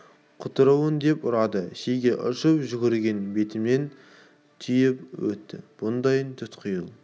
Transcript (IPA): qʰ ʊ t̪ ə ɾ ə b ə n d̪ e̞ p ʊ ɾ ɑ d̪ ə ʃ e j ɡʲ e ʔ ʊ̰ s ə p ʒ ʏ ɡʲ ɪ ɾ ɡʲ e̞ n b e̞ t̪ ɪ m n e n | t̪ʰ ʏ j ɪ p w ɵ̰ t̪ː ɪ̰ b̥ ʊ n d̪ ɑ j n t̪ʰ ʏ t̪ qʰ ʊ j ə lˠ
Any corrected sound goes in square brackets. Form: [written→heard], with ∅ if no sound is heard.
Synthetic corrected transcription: qʰ ʊ t̪ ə ɾ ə [b→w] ə n d̪ e̞ p ʊ ɾ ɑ d̪ ə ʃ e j ɡʲ e ʔ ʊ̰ [s→ʃ] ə p ʒ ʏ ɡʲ ɪ ɾ ɡʲ e̞ n b e̞ t̪ ɪ m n e n | t̪ʰ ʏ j ɪ p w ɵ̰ t̪ː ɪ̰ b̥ ʊ n d̪ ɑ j n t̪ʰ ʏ t̪ qʰ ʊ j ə lˠ